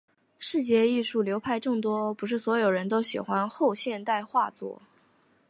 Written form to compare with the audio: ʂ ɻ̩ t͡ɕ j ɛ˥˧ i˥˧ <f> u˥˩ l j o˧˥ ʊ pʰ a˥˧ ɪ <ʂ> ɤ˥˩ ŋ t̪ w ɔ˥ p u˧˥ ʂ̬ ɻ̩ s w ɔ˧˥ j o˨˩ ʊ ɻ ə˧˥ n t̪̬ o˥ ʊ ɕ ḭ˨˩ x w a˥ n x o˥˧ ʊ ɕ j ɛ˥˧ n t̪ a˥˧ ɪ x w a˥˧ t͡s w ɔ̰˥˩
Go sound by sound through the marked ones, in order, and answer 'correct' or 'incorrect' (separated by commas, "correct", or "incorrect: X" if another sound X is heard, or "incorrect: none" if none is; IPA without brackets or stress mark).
incorrect: ʂ, incorrect: ʈ͡ʂ